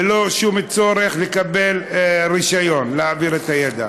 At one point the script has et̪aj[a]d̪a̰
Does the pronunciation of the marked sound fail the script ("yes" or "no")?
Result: yes